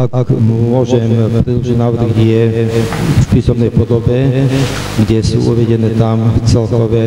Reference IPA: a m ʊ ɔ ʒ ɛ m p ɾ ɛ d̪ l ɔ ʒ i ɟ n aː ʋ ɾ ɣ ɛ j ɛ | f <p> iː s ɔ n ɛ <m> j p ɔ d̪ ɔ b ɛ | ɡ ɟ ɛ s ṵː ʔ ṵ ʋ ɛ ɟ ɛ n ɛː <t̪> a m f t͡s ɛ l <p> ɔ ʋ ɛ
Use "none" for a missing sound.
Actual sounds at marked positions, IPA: p, none, t̪, k

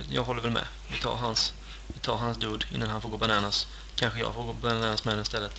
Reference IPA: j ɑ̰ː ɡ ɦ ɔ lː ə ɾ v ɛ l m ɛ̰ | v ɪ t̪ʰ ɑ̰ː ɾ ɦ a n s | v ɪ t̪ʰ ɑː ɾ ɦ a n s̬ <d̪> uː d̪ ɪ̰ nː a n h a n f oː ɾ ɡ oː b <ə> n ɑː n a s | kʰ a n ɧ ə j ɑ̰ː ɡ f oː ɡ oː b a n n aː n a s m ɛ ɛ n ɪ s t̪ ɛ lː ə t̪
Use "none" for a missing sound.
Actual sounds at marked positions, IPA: d̪, a

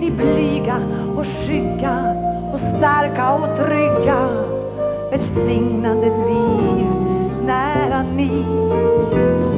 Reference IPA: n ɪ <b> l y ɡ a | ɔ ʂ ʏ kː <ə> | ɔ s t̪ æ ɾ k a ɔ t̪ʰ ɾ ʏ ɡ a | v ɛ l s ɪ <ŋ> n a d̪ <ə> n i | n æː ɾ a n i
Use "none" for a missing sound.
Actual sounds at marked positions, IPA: b, a, ŋ, ə

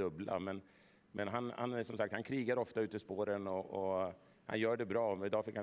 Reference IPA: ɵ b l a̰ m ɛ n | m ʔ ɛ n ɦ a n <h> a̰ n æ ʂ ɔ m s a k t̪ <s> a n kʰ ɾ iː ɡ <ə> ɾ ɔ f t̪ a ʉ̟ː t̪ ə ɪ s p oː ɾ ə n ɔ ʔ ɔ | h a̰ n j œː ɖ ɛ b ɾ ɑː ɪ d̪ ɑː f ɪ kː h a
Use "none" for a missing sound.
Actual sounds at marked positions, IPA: h, h, a

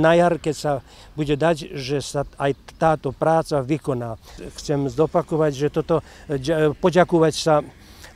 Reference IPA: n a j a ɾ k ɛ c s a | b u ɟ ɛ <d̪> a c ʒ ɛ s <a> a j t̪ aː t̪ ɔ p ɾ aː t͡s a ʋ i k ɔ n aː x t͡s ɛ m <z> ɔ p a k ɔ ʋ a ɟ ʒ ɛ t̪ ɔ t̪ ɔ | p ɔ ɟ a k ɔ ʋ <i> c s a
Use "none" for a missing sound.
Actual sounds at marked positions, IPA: d̪, a, z, a

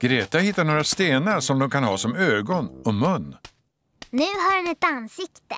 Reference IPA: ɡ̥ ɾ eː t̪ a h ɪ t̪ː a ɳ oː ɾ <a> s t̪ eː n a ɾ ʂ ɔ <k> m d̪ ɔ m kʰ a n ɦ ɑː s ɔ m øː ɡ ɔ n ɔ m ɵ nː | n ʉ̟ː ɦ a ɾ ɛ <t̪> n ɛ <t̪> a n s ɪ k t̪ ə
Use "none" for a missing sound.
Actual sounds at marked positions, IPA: a, none, none, t̪

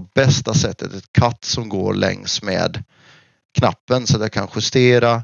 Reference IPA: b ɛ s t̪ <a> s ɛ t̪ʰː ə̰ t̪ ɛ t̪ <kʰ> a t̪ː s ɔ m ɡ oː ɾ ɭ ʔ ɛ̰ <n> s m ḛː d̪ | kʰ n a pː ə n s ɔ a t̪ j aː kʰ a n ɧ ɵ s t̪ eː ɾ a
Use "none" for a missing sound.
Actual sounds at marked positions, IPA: a, kʰ, ŋ

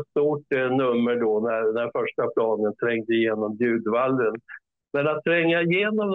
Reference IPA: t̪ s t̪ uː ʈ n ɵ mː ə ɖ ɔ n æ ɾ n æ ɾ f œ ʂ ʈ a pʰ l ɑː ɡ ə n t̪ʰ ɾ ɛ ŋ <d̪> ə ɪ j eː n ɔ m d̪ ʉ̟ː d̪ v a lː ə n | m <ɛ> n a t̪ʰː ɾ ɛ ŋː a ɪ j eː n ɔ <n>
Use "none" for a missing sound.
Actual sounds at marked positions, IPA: d̪, ɛ, m

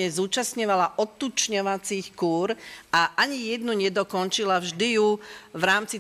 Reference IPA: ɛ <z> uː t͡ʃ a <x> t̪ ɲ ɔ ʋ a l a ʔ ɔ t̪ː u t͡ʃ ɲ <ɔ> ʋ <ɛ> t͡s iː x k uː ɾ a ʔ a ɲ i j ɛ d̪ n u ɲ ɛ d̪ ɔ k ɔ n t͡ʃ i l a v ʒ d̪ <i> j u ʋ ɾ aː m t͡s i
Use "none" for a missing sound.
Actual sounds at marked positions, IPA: z, s, ɔ, a, i

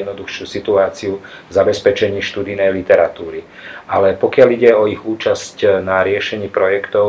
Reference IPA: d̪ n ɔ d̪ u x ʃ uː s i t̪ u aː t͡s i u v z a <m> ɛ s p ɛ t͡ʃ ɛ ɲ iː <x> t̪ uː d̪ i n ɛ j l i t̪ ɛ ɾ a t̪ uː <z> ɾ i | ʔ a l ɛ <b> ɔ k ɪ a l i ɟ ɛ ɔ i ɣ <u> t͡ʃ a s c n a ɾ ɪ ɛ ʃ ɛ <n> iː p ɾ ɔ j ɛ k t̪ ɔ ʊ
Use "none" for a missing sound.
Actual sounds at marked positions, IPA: b, ʃ, none, p, uː, ɲ

